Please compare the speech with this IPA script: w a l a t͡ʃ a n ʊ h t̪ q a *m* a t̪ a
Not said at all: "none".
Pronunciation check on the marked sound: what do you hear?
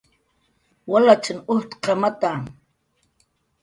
m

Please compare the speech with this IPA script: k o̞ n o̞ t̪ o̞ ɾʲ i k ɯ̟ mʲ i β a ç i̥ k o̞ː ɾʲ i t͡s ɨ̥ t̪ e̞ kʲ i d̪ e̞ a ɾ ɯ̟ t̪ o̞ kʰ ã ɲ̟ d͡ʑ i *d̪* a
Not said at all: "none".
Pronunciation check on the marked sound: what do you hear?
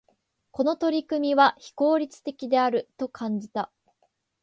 t̪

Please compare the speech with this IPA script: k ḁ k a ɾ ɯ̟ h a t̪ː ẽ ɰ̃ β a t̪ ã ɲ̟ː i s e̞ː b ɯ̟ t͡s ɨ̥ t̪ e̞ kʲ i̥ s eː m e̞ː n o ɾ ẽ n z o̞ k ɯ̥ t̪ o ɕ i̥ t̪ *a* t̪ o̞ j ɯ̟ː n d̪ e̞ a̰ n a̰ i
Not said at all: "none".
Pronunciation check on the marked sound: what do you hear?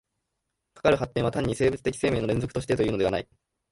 e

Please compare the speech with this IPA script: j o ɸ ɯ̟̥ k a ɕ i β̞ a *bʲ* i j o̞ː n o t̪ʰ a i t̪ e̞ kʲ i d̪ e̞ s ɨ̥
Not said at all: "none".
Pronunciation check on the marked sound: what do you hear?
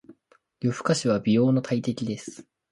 bʲ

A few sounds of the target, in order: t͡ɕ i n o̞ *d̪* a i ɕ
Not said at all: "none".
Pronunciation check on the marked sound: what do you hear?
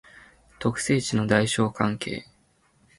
d̪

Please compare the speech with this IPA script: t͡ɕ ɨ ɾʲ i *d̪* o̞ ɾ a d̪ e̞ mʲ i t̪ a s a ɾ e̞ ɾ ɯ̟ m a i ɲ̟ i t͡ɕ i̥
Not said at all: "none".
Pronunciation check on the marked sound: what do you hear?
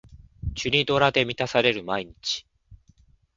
d̪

